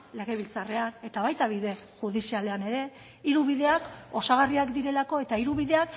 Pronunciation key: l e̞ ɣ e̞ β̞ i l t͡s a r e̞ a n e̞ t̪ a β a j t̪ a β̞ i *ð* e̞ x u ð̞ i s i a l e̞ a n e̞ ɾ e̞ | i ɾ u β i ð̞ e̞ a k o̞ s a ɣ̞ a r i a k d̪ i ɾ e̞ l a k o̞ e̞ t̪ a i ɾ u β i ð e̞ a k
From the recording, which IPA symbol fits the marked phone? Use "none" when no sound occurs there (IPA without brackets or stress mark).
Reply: ð